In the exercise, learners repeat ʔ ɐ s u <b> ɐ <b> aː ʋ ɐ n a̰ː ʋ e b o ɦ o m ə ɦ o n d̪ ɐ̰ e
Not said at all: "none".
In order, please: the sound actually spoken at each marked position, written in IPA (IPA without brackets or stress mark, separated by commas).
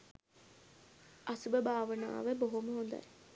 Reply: b, b